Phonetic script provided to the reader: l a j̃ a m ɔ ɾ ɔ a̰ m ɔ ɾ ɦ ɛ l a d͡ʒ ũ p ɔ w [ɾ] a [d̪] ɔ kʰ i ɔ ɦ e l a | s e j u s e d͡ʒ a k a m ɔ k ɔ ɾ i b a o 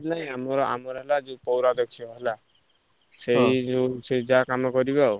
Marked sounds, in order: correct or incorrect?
correct, correct

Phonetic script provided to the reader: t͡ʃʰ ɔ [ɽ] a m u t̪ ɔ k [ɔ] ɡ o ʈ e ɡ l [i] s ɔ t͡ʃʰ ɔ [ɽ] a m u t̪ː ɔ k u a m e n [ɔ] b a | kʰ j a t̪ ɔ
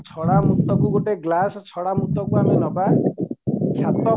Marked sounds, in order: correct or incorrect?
correct, incorrect: u, incorrect: a, correct, correct

